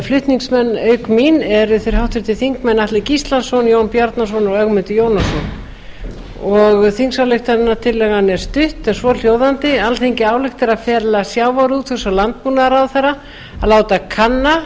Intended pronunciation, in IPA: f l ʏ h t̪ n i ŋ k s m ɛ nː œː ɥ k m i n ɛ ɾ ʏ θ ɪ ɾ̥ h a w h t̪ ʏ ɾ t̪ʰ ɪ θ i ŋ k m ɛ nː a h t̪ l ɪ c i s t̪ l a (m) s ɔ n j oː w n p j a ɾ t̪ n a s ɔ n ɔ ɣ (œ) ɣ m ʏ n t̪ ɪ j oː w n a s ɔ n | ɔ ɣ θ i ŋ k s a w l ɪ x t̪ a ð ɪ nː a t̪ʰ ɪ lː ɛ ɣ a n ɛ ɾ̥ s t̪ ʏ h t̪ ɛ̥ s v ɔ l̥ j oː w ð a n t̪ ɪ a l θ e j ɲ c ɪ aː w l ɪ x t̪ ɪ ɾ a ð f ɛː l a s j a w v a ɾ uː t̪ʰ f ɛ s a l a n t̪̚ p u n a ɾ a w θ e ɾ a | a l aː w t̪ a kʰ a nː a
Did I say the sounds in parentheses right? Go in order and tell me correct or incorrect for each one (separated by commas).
incorrect, correct